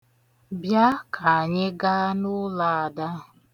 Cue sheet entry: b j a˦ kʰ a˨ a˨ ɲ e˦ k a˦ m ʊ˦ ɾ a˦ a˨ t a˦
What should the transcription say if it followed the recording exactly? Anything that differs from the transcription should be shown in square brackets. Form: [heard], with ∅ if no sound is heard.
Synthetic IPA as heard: b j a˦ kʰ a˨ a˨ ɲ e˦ [ɡ] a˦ [n] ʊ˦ [l] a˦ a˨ [d] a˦